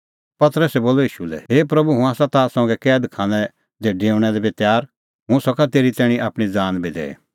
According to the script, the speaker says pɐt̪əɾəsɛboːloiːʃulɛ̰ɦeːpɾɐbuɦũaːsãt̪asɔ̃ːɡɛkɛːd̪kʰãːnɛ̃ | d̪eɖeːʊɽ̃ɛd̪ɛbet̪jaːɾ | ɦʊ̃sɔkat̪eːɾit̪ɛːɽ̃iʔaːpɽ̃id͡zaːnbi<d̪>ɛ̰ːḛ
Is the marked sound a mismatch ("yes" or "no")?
no